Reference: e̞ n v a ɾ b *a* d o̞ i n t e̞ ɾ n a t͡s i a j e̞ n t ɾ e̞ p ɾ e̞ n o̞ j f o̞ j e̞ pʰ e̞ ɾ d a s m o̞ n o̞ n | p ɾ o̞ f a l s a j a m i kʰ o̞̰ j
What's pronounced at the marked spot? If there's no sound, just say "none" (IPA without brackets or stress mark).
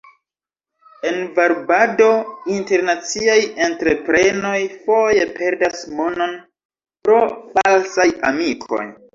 a